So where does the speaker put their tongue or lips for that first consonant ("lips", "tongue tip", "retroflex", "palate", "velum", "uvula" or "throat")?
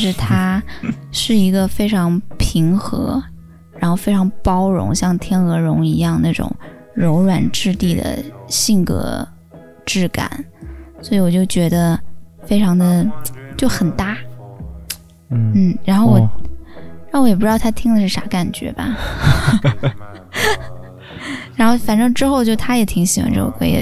retroflex